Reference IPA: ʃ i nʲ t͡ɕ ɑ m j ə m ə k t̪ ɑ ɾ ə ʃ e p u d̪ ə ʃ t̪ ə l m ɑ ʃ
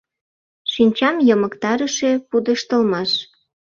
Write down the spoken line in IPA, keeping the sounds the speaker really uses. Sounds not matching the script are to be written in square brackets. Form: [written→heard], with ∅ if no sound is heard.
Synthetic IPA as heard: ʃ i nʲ t͡ɕ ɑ m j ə m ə k t̪ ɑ ɾ ə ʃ e p u d̪ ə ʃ t̪ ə l m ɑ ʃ